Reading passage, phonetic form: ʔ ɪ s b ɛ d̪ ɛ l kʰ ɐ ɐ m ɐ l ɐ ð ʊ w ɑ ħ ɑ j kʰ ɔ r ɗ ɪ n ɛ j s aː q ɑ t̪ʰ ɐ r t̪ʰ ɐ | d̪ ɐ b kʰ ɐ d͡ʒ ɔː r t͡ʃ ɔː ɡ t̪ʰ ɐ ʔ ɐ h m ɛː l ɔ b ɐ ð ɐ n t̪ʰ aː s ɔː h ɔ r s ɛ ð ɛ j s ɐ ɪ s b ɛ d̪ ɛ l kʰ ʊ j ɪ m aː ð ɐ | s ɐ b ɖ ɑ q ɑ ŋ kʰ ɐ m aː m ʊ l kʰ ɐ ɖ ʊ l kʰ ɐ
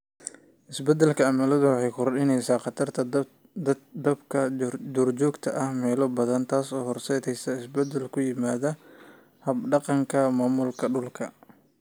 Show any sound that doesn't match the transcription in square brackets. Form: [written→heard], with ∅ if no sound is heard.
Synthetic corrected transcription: ʔ ɪ s b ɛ d̪ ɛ l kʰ ɐ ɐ m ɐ l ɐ ð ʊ w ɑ ħ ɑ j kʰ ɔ r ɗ ɪ n ɛ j s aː q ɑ t̪ʰ ɐ r t̪ʰ ɐ | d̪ ɐ b kʰ ɐ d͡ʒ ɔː r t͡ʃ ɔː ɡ t̪ʰ ɐ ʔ ɐ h m ɛː l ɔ b ɐ ð ɐ n t̪ʰ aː s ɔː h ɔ r s ɛ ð ɛ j s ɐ ɪ s b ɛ d̪ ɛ l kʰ ʊ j ɪ m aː ð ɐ | [s→h] ɐ b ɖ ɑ q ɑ ŋ kʰ ɐ m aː m ʊ l kʰ ɐ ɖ ʊ l kʰ ɐ